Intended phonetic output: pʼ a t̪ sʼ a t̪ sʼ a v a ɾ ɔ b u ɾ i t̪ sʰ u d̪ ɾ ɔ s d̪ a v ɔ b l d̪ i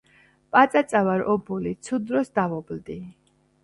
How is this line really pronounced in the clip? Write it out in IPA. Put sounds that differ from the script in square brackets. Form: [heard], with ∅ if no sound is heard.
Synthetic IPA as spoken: pʼ a t̪ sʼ a t̪ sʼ a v a ɾ ɔ b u [l] i t̪ sʰ u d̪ ɾ ɔ s d̪ a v ɔ b l d̪ i